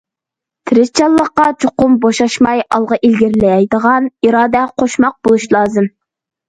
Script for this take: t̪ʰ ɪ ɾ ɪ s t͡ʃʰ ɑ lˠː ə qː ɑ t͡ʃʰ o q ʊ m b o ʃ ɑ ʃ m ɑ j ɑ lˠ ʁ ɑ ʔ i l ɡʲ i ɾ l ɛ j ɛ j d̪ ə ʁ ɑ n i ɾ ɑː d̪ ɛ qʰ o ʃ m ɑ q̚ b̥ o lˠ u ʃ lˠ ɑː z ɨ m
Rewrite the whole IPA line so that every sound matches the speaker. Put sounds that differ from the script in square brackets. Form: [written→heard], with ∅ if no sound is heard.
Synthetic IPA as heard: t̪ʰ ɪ ɾ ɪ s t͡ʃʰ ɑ lˠː ə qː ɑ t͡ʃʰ o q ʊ m b o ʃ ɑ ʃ m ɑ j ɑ lˠ ʁ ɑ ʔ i l ɡʲ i ɾ l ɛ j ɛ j d̪ ə ʁ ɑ n i ɾ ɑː d̪ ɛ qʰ o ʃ m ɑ q̚ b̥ o lˠ u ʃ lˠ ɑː z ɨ m